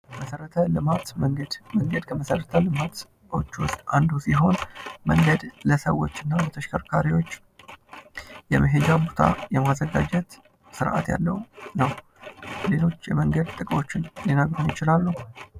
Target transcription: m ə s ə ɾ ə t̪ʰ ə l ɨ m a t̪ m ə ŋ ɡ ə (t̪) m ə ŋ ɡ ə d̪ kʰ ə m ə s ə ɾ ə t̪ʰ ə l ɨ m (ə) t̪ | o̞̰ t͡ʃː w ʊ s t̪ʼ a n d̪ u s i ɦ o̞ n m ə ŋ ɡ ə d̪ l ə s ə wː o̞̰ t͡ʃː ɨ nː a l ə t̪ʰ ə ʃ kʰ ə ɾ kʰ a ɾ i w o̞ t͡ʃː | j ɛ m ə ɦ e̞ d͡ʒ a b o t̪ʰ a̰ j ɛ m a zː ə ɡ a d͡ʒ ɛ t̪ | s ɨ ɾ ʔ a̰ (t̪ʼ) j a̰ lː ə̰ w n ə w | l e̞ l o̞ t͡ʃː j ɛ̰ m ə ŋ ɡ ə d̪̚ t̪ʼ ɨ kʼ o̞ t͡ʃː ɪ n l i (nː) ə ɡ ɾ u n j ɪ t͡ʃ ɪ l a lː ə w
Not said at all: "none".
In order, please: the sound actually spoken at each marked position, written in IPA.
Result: d̪, a, t̪, n

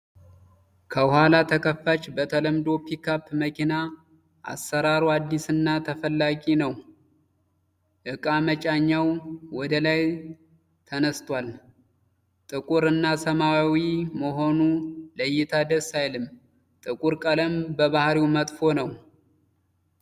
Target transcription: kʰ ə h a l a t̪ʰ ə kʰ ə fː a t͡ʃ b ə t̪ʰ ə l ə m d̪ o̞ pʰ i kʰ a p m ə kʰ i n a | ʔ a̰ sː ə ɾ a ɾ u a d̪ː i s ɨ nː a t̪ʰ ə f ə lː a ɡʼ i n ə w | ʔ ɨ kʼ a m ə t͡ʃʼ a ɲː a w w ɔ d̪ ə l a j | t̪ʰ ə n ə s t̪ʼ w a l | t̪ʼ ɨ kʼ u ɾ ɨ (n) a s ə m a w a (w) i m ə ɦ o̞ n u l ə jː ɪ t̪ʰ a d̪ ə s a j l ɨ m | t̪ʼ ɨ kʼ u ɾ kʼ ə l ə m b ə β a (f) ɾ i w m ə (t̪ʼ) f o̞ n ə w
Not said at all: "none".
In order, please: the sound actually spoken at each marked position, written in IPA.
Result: nː, w, h, t̪ʼ

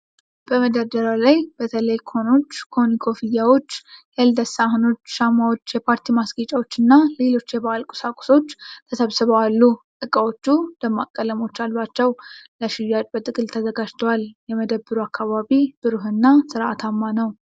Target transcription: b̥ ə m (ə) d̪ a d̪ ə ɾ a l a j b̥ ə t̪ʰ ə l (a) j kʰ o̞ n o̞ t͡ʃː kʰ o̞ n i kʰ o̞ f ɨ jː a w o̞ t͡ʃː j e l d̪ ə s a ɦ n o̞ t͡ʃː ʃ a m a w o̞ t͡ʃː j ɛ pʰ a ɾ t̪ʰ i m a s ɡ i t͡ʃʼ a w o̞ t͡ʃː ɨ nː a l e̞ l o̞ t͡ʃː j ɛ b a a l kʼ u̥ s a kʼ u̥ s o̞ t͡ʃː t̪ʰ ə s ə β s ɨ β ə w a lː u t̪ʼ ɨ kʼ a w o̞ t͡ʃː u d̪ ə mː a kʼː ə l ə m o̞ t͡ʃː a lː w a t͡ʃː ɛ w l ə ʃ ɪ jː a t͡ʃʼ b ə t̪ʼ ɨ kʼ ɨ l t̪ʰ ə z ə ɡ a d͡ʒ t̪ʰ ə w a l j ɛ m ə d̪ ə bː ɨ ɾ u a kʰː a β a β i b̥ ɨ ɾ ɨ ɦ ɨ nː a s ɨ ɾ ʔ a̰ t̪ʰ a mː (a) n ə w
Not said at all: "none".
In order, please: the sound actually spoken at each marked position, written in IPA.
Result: ə, ə, a

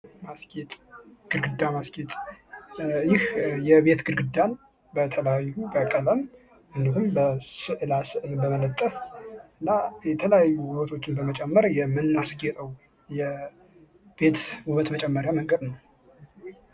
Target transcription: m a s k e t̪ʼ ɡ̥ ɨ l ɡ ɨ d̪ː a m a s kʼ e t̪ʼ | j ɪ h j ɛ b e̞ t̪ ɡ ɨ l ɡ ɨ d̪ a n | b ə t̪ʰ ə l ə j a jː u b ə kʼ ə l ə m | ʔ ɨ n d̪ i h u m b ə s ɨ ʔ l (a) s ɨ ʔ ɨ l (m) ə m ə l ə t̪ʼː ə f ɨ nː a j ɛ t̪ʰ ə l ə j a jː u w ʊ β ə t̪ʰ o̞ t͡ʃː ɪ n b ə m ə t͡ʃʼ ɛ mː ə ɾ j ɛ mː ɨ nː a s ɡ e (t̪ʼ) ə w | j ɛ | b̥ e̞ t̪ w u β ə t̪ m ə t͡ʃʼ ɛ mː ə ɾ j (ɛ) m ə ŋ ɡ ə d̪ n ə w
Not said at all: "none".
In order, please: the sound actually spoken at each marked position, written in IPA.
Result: a, b, t̪ʼ, a

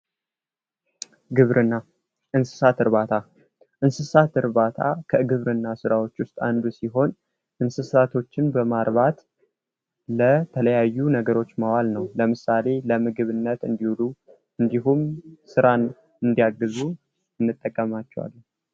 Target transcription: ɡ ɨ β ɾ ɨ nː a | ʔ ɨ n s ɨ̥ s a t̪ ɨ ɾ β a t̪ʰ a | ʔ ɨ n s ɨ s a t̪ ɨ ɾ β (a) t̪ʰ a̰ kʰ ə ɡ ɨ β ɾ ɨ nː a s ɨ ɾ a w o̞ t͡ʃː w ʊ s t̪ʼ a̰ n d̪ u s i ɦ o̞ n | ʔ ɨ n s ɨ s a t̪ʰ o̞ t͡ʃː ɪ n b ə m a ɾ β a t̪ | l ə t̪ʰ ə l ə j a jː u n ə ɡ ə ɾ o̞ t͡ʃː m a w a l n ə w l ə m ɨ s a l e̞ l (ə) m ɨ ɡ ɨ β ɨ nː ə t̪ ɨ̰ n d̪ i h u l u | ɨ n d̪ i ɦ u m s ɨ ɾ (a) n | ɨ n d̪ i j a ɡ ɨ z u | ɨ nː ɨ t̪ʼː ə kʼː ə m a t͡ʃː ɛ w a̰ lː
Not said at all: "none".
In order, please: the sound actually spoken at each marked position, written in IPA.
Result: a, ə, a

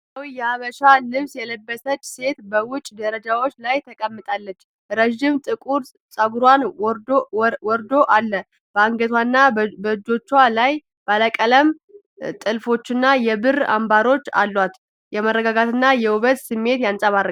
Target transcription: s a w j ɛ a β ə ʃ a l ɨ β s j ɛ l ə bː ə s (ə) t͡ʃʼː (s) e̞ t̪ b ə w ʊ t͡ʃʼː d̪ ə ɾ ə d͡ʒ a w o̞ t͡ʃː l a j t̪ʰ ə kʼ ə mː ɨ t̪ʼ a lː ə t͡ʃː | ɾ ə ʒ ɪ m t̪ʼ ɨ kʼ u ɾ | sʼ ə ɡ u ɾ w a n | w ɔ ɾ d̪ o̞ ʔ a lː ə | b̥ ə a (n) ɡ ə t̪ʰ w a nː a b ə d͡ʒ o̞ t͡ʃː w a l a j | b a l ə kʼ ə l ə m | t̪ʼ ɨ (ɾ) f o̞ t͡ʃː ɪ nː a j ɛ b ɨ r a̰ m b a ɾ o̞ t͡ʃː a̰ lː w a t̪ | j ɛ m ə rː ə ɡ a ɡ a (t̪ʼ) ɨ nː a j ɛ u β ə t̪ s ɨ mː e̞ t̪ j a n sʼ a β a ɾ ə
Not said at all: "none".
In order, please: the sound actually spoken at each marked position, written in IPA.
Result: ə, s, ŋ, l, t̪

